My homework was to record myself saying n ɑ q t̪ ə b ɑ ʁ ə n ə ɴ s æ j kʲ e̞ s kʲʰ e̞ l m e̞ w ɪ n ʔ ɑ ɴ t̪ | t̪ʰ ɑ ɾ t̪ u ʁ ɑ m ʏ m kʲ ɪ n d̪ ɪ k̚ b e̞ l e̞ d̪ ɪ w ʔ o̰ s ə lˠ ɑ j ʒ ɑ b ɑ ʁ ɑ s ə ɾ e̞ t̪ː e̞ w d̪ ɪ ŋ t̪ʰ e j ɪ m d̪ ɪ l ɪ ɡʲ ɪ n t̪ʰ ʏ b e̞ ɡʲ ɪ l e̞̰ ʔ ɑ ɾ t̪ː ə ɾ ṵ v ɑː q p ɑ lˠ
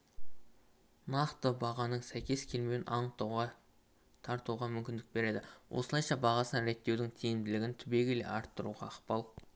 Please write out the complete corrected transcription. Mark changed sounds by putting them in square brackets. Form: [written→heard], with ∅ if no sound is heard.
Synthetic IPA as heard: n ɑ q t̪ ə b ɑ ʁ [ə→ɑ] n ə ɴ s æ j kʲ e̞ s kʲʰ e̞ l m e̞ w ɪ n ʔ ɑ ɴ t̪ | t̪ʰ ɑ ɾ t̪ u ʁ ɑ m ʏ m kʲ ɪ n d̪ ɪ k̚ b e̞ [l→ɾ] e̞ d̪ ɪ w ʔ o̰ s ə lˠ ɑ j [ʒ→ʃ] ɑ b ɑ ʁ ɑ s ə ɾ e̞ t̪ː e̞ w d̪ ɪ ŋ t̪ʰ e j ɪ m d̪ ɪ l ɪ ɡʲ ɪ n t̪ʰ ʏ b e̞ ɡʲ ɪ l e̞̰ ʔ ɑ ɾ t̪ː ə ɾ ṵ [v→ʁ] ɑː q p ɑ lˠ